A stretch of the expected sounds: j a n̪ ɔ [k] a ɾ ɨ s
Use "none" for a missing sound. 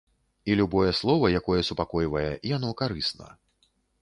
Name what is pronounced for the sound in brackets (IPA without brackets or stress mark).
k